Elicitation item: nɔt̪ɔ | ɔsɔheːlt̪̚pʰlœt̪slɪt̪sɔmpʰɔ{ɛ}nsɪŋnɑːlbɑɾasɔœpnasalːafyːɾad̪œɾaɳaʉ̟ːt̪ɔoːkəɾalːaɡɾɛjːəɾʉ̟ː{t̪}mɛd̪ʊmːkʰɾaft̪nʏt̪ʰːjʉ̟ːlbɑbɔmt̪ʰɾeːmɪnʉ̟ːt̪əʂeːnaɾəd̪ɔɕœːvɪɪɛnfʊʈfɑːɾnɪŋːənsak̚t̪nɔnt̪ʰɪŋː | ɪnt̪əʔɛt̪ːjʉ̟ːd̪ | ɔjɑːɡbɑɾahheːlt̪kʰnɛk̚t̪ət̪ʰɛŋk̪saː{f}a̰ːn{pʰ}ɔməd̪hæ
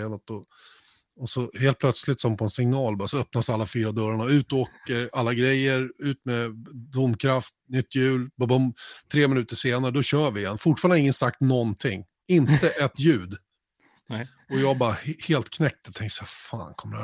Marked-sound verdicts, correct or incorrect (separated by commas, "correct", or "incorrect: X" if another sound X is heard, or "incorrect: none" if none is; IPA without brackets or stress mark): correct, correct, correct, incorrect: kʰ